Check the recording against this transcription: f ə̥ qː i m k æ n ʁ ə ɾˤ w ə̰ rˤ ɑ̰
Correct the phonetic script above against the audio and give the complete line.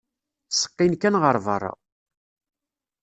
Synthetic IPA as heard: s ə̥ qː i n k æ n ʁ ə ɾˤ v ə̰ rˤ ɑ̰